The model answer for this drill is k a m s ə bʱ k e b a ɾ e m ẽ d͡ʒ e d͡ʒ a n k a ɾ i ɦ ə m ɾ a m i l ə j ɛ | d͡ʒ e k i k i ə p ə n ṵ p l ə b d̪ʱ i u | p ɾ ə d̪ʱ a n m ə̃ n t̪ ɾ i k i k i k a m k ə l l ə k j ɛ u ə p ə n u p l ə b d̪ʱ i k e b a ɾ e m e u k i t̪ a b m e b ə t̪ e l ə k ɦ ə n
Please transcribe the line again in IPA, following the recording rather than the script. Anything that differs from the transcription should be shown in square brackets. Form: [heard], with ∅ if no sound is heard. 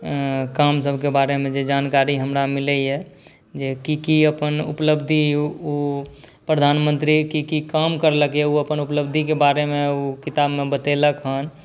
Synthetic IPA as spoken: k a m s ə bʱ k e b a ɾ e m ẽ d͡ʒ e d͡ʒ a n k a ɾ i ɦ ə m ɾ a m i l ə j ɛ | d͡ʒ e k i k i ə p ə n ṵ p l ə b d̪ʱ i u | p ɾ ə d̪ʱ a n m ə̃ n t̪ ɾ i k i k i k a m k ə [ɾ] l ə k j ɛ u ə p ə n u p l ə b d̪ʱ i k e b a ɾ e m e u k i t̪ a b m e b ə t̪ e l ə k ɦ ə n